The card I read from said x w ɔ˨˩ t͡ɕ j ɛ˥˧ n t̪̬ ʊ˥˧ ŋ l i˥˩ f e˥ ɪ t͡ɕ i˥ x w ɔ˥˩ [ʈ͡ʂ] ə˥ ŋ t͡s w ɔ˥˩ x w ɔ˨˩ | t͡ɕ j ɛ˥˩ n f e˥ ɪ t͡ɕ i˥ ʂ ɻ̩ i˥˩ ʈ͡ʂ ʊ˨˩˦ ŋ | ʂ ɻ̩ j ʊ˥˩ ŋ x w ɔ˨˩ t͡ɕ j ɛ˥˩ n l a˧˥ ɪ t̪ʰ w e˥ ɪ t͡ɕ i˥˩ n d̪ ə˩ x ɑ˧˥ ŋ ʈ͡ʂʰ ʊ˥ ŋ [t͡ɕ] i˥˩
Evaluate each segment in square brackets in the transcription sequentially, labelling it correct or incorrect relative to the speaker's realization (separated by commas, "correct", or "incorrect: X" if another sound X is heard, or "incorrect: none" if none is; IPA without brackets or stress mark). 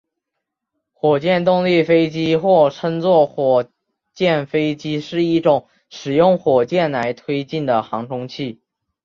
incorrect: ʈ͡ʂʰ, incorrect: t͡ɕʰ